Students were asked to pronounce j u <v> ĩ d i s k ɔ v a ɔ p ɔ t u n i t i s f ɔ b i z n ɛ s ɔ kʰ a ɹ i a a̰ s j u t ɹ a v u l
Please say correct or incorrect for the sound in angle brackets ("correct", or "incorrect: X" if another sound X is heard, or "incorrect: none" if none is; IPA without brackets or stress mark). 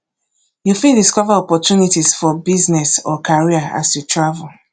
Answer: incorrect: f